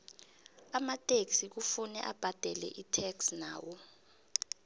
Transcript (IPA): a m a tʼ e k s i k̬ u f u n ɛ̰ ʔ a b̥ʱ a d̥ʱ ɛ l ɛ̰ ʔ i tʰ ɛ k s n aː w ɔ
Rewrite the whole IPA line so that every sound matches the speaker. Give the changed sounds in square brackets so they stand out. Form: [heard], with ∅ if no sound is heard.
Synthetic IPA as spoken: a m a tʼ e k s i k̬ u f u n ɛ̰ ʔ a b̥ʱ a d̥ʱ ɛ l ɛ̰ ʔ i tʰ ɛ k s n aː w ɔ